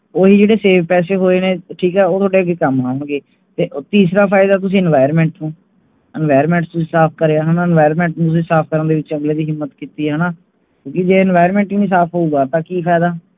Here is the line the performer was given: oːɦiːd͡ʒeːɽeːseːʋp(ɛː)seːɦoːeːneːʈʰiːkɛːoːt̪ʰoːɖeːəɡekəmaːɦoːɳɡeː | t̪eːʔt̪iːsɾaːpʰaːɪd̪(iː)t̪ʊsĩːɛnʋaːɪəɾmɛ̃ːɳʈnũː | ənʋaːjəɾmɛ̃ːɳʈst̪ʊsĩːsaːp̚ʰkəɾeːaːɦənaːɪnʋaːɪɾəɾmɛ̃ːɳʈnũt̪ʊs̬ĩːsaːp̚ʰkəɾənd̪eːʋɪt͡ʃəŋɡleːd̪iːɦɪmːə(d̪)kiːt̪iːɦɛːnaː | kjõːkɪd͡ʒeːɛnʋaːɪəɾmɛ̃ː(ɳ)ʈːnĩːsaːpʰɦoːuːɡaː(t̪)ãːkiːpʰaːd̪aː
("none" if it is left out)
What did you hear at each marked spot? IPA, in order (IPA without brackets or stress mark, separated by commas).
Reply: ɛː, aː, t̪, ɳ, t̪